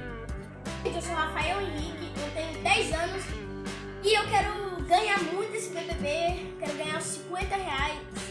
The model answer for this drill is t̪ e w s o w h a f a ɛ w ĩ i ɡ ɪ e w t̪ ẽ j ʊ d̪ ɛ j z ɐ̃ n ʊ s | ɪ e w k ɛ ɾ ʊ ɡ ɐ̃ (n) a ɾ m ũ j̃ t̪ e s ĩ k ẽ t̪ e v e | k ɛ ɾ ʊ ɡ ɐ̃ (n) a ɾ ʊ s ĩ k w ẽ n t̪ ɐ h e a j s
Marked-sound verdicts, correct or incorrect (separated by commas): incorrect, incorrect